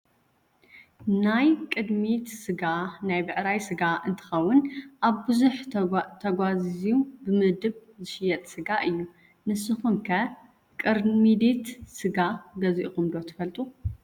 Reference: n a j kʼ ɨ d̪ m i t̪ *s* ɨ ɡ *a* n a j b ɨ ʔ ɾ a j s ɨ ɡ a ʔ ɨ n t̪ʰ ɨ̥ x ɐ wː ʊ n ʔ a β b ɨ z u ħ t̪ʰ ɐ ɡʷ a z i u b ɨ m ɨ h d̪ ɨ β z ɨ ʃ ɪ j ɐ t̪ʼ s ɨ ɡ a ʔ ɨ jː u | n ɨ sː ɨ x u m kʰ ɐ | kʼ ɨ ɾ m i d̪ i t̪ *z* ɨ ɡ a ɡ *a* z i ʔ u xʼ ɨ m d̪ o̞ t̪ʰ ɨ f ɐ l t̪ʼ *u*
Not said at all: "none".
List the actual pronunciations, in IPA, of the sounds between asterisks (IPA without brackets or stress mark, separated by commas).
s, a, s, ɐ, u